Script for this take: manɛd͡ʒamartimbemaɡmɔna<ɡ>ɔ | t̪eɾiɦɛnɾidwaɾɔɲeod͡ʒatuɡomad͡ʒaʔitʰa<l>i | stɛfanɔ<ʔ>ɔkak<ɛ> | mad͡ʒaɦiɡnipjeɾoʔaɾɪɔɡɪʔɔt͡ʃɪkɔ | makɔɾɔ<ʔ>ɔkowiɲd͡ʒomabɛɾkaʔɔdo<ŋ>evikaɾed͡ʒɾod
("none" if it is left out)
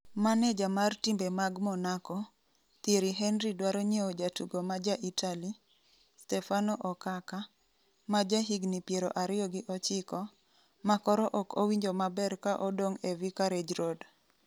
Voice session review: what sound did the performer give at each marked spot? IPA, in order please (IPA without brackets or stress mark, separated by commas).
k, l, ʔ, a, ʔ, ŋ